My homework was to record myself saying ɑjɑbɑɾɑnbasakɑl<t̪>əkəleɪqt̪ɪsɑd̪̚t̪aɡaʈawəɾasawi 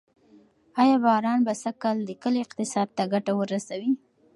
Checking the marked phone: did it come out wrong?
yes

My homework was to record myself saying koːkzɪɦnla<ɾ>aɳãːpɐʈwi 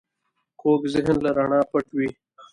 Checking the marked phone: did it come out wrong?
no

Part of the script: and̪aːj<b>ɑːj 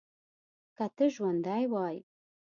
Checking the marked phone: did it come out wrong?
yes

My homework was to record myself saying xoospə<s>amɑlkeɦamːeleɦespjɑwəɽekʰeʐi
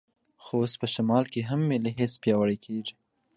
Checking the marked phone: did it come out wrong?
yes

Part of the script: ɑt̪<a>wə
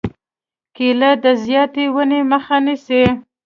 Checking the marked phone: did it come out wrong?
yes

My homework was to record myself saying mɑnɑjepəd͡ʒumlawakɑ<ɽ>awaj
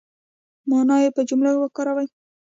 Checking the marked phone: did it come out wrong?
yes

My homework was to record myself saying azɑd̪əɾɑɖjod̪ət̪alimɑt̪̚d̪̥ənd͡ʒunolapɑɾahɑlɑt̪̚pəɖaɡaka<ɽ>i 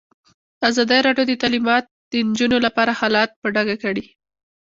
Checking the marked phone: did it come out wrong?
no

